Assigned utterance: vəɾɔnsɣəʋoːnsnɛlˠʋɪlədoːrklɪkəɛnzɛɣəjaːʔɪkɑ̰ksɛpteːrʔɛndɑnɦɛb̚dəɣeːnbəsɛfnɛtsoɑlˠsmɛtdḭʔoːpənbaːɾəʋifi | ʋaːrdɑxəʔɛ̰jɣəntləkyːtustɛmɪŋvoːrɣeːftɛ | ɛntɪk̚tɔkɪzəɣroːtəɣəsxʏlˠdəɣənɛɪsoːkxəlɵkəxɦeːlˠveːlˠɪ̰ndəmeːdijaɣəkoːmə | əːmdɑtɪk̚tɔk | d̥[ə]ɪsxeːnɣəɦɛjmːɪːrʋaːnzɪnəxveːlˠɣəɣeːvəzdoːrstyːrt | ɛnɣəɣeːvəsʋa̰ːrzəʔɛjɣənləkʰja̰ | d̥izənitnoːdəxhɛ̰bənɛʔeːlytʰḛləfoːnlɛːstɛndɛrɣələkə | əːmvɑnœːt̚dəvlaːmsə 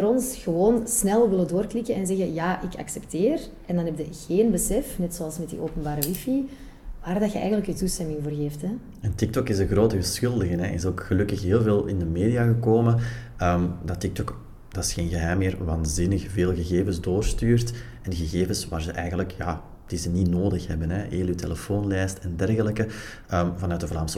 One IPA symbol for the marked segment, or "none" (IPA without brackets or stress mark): ɑ